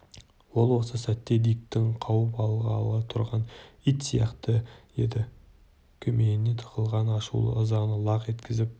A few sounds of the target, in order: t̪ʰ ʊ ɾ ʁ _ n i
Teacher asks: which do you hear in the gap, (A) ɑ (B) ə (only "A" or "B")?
A